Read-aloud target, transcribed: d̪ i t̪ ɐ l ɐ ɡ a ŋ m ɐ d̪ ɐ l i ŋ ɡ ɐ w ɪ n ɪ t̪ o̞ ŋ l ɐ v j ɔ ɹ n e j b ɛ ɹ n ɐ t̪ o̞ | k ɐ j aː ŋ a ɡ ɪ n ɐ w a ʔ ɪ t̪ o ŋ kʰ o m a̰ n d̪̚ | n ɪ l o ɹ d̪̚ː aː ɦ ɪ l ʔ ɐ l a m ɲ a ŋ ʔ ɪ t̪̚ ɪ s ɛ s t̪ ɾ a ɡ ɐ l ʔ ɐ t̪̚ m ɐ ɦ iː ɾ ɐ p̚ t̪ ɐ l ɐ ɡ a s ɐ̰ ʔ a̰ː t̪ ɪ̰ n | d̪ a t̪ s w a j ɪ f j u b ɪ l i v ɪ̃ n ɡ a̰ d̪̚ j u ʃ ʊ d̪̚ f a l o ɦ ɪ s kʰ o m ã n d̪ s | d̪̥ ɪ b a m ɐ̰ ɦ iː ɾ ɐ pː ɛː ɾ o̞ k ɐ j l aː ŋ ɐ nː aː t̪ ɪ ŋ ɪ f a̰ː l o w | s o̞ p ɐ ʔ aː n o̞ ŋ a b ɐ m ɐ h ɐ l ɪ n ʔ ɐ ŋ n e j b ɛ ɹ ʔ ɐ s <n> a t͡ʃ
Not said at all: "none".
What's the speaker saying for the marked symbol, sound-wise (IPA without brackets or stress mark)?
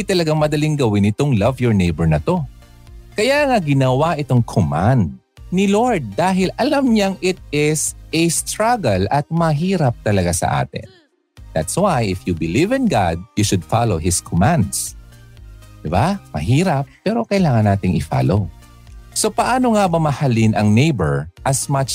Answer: m